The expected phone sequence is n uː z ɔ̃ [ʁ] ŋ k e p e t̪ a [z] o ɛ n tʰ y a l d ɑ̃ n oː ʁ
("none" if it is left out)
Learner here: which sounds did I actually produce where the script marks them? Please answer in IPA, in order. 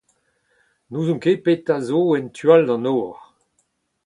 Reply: none, z

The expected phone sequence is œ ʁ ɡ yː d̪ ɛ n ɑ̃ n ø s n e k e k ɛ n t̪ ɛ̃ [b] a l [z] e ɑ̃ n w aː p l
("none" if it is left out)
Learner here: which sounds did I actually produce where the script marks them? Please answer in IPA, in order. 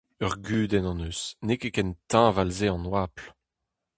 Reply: v, z

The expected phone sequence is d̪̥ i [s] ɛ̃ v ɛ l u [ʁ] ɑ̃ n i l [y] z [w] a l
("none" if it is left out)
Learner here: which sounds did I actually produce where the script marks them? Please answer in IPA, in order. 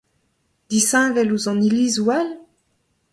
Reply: s, z, i, w

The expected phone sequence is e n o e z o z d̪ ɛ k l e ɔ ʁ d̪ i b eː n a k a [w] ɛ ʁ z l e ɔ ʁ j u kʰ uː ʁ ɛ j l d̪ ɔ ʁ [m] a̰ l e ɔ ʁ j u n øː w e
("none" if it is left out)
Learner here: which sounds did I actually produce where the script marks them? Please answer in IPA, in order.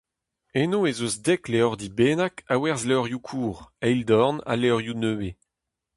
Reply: w, n

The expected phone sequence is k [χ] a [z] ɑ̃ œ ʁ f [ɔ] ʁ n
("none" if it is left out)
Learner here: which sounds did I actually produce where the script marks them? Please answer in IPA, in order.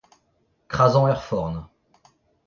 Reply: χ, z, ɔ

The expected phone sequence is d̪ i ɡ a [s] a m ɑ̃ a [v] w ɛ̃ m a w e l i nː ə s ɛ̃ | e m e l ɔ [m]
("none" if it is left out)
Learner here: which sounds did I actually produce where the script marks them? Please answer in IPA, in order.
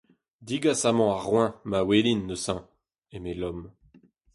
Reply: s, ʁ, m

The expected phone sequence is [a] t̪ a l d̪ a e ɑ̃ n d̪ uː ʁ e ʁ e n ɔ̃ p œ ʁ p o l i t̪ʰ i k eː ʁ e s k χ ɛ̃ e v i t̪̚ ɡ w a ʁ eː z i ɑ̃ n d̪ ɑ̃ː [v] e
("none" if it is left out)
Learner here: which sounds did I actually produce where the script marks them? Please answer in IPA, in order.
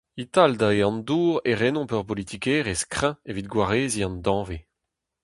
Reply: i, v

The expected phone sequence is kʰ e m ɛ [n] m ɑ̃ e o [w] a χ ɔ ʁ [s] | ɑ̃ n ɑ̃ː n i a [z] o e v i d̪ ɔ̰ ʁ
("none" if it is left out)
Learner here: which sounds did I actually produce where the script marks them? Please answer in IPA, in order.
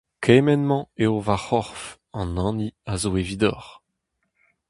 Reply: n, v, f, z

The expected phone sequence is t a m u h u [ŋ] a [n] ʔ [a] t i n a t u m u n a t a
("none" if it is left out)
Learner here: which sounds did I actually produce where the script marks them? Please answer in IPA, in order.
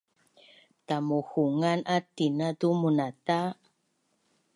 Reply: ŋ, n, a

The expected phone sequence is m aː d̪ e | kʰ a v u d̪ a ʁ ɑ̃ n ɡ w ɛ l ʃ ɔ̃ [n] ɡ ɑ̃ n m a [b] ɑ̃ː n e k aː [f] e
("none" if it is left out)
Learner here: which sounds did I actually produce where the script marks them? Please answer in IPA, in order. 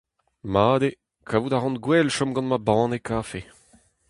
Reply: m, b, f

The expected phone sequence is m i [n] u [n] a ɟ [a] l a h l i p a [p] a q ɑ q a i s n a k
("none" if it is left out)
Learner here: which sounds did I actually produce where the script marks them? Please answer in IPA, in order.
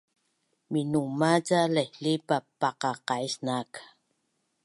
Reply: n, m, a, p

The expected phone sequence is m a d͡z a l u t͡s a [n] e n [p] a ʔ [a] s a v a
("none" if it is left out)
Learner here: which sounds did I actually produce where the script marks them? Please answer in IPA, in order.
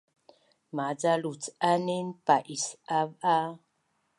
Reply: n, p, i

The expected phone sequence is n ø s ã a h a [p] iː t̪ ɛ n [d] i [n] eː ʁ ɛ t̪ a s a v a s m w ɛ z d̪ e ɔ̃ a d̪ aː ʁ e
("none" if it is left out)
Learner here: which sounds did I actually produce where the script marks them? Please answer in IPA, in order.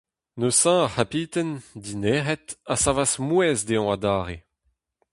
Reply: p, d, n

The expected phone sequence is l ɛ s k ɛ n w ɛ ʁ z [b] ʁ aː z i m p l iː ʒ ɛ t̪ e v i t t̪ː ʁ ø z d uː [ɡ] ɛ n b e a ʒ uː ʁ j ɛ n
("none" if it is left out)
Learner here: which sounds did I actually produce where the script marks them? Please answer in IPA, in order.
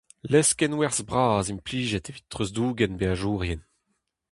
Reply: b, ɡ

